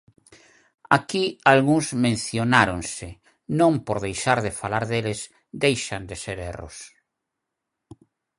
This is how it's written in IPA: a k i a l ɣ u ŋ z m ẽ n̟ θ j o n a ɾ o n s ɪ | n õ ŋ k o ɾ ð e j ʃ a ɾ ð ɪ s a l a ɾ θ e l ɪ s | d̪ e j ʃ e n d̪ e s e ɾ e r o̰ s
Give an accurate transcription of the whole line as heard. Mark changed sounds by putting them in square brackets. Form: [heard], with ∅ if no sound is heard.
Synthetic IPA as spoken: a k i a l ɣ u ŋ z m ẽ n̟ θ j o n a ɾ o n s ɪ | n õ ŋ [p] o ɾ ð e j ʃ a ɾ ð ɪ [f] a l a ɾ [ð] e l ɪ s | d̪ e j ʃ [a] n d̪ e s e ɾ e r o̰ s